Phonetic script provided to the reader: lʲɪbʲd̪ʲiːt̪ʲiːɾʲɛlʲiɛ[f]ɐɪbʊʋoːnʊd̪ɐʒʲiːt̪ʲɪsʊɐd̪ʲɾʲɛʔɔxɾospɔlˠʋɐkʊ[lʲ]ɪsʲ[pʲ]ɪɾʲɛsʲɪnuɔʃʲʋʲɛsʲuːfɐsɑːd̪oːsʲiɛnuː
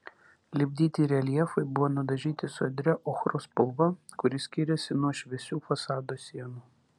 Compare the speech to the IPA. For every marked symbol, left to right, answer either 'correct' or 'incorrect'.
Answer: correct, incorrect, incorrect

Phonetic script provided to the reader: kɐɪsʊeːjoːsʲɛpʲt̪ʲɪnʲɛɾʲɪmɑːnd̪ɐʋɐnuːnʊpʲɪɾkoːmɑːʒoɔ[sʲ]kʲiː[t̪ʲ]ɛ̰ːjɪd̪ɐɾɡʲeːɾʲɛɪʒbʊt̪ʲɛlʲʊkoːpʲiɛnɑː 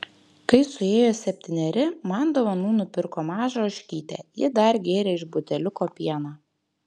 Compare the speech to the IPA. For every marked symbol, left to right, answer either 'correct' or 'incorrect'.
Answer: incorrect, correct

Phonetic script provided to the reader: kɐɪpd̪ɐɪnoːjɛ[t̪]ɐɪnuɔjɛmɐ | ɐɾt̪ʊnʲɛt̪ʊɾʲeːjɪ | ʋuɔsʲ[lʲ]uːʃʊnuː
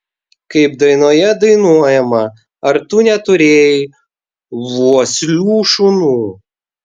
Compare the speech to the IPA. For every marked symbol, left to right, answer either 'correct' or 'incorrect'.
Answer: incorrect, correct

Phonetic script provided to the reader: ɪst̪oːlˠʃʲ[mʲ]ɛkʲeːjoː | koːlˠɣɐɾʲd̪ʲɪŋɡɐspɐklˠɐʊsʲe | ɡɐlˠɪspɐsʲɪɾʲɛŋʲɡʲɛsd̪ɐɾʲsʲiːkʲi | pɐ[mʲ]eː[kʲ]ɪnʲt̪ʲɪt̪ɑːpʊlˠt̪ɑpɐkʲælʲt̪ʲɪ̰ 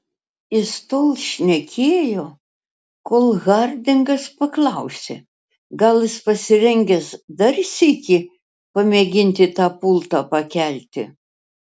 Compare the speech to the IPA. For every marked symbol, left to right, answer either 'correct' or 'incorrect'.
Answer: incorrect, correct, incorrect

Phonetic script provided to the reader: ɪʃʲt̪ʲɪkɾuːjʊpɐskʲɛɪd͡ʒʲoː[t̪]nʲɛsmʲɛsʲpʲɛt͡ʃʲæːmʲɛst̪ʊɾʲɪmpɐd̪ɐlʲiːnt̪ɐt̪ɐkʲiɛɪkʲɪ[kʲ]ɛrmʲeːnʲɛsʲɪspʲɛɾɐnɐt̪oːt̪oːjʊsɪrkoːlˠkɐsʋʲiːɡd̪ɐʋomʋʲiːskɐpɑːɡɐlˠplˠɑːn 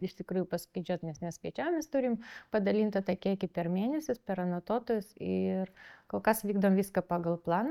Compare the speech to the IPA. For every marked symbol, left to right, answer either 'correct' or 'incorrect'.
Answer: correct, incorrect

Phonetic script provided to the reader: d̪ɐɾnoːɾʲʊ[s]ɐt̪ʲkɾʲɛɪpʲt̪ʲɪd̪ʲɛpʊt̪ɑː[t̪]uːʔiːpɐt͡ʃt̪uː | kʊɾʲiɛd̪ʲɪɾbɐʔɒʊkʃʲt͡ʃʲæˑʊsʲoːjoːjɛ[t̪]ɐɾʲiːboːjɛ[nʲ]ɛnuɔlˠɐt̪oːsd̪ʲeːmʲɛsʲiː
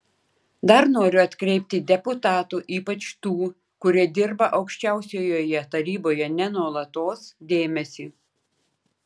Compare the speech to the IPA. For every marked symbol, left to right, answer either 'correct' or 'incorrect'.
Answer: incorrect, correct, correct, correct

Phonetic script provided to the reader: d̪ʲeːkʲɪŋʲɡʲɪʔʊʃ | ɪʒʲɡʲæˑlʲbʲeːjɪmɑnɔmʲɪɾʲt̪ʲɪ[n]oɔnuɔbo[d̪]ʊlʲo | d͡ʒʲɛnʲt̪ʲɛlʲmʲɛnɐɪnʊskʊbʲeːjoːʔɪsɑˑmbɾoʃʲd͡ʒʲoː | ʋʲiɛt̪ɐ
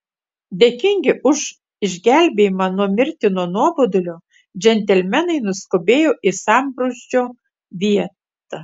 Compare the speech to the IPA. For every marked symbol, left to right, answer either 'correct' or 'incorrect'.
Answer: correct, correct

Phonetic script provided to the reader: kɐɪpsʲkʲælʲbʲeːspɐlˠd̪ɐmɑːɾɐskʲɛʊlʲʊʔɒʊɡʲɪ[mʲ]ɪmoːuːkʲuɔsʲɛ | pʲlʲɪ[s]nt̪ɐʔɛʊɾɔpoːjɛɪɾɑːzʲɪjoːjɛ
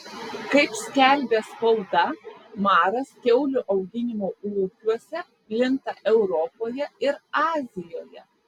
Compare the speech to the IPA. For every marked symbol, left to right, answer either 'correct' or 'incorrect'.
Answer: incorrect, incorrect

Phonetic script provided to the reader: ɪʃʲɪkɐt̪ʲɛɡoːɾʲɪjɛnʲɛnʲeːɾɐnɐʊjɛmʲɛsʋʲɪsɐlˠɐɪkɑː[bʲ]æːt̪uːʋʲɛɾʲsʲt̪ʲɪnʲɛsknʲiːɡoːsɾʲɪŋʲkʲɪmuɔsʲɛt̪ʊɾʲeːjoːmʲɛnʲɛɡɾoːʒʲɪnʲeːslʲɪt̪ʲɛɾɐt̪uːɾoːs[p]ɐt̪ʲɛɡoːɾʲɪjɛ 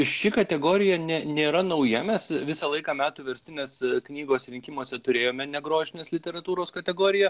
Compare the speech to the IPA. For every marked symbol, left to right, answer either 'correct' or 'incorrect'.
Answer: incorrect, incorrect

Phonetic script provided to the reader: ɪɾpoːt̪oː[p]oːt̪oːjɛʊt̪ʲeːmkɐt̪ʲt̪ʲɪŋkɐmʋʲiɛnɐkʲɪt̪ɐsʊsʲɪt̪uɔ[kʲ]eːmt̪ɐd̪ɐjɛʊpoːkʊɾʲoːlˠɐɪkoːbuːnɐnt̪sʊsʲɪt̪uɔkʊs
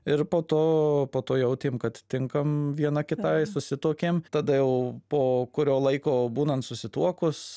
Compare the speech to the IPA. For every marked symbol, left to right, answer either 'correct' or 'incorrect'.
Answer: correct, correct

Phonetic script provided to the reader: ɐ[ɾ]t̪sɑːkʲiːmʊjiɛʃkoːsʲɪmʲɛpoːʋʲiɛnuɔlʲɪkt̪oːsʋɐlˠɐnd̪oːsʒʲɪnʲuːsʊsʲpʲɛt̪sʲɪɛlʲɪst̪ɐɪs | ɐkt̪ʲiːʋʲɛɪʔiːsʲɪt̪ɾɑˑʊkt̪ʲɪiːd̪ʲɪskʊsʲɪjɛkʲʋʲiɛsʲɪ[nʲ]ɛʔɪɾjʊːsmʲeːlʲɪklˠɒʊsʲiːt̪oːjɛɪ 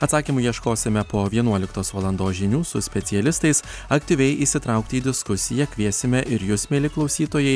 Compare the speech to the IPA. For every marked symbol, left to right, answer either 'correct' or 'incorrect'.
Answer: incorrect, incorrect

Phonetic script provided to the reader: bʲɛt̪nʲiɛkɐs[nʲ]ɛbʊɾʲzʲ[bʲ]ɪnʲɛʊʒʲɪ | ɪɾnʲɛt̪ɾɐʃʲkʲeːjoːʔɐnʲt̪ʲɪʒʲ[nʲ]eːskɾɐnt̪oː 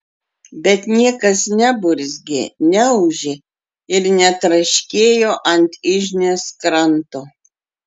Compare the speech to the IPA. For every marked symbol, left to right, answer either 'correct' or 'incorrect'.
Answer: correct, incorrect, correct

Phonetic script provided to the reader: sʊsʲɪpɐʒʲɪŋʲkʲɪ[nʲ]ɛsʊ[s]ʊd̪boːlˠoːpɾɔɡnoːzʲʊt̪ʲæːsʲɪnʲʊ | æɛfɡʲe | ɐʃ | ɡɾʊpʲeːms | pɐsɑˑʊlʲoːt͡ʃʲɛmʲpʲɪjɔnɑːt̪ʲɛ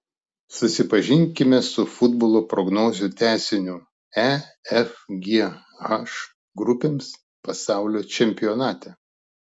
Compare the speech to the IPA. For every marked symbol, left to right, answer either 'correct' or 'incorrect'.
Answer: incorrect, incorrect

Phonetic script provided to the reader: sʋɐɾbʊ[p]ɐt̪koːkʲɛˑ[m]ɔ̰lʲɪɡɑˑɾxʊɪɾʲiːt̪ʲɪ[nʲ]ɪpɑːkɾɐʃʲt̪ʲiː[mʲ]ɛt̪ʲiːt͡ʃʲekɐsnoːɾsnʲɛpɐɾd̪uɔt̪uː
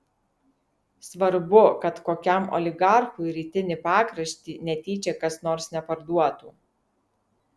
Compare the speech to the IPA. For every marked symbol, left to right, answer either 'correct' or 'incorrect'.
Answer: incorrect, correct, correct, incorrect

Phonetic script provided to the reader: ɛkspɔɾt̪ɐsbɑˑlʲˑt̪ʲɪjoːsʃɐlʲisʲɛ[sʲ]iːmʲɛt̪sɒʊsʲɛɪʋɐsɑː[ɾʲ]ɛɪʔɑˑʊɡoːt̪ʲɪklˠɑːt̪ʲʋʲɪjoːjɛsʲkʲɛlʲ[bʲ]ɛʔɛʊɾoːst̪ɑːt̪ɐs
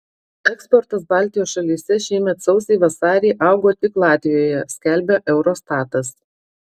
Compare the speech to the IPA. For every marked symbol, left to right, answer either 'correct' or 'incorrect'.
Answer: incorrect, correct, correct

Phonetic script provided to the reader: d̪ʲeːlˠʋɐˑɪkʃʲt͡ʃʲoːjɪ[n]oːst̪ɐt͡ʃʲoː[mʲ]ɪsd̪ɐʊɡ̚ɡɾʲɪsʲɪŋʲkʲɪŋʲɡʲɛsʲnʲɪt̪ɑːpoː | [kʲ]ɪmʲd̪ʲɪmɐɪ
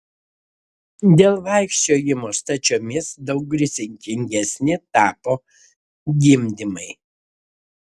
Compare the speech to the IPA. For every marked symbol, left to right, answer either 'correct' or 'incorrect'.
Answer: incorrect, correct, incorrect

